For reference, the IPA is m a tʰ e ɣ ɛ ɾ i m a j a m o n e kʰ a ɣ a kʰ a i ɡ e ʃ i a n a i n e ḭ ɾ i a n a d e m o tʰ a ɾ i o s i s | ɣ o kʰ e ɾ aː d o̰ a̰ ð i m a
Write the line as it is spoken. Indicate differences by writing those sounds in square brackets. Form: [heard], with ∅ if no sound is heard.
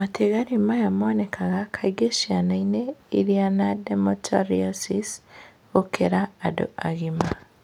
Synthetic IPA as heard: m a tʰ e ɣ [a] ɾ i m a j a m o n e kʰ a ɣ a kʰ a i ɡ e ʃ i a n a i n e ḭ ɾ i a n a d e m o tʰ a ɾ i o s i s | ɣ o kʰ e ɾ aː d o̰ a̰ [ɣ] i m a